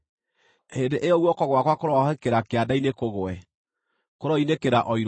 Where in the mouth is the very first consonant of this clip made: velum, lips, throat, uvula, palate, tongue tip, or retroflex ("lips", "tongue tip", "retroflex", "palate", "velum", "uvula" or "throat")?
throat